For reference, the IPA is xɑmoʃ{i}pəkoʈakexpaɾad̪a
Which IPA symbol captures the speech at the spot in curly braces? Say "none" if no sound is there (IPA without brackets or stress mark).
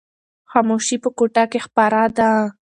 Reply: i